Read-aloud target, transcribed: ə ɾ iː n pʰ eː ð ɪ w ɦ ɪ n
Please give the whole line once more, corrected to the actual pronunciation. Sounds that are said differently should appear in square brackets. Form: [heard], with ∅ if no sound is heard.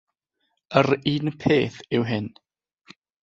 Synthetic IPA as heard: ə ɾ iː n pʰ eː [θ] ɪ w ɦ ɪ n